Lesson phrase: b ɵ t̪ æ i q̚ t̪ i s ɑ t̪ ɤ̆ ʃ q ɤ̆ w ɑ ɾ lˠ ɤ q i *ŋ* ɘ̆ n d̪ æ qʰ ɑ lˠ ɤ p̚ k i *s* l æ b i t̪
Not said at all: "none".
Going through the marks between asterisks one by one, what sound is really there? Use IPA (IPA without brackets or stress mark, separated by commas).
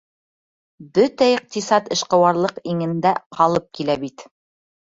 ŋ, none